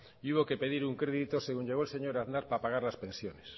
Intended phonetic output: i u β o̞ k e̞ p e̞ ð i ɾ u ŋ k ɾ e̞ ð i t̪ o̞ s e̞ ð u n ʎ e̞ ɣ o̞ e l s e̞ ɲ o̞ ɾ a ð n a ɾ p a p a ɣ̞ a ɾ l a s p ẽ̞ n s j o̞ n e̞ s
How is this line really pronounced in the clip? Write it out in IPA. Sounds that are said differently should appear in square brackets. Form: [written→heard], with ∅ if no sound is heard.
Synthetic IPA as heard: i u β o̞ k e̞ p e̞ ð i ɾ u ŋ k ɾ e̞ ð i t̪ o̞ s e̞ [ð→ɣ] u [n→ɲ] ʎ e̞ ɣ o̞ e l s e̞ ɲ o̞ ɾ a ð n a ɾ p a p a ɣ̞ a ɾ l a s p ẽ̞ n s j o̞ n e̞ s